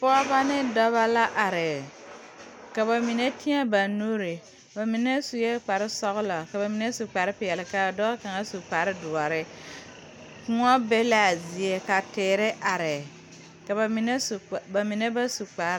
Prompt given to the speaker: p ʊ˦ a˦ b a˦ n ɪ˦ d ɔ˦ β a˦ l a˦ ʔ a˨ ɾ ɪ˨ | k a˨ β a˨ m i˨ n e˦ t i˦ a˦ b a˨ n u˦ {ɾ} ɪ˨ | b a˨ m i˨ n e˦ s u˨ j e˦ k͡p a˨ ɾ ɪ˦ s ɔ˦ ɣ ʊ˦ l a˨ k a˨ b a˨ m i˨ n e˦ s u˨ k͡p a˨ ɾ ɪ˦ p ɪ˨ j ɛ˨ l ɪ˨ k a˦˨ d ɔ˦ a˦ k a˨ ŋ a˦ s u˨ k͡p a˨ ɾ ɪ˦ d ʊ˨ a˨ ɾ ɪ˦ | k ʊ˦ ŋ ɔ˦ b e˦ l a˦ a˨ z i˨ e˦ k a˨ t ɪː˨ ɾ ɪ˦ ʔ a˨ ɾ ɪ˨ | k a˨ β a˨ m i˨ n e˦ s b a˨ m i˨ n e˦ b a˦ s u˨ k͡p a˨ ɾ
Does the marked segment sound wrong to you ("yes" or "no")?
no